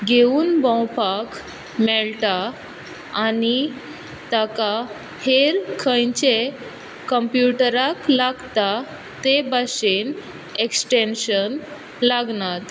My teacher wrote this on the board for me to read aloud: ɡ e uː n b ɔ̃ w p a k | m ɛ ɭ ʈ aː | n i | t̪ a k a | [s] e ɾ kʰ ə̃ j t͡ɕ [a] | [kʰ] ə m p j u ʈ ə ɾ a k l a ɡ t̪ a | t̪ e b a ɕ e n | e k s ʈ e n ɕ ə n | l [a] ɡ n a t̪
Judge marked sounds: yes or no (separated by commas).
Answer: no, no, no, yes